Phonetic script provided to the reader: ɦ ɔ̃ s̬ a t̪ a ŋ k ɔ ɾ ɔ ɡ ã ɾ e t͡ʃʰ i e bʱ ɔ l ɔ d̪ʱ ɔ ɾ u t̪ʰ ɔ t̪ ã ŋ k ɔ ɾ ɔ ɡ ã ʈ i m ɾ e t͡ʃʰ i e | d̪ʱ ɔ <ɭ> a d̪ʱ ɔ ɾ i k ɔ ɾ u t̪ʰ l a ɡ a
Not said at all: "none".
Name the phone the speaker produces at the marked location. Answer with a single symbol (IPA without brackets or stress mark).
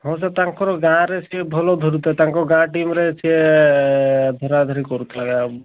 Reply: ɾ